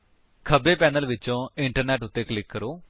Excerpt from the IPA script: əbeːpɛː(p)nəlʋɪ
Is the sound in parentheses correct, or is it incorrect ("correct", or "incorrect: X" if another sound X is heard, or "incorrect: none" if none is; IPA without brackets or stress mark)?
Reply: incorrect: none